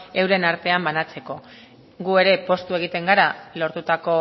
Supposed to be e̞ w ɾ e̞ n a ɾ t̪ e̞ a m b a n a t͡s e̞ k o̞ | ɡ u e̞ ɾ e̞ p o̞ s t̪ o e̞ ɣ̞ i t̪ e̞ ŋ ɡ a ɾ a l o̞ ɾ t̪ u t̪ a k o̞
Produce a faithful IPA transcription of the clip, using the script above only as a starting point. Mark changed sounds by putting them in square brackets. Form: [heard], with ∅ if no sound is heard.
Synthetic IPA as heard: e̞ w ɾ e̞ n a ɾ t̪ e̞ a m b a n a t͡s e̞ k o̞ | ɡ u e̞ ɾ e̞ p o̞ s t̪ [u] e̞ ɣ̞ i t̪ e̞ ŋ ɡ a ɾ a l o̞ ɾ t̪ u t̪ a k o̞